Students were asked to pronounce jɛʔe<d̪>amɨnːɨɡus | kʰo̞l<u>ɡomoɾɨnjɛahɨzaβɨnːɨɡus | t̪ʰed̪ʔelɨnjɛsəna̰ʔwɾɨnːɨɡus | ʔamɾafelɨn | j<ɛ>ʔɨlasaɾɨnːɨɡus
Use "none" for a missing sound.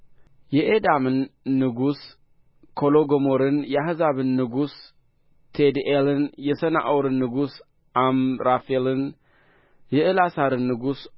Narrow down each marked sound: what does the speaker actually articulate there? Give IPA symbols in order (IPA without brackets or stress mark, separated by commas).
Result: d̪, o, ɛ